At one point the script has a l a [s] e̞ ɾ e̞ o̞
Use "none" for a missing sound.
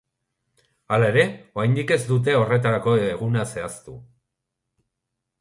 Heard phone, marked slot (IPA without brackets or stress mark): none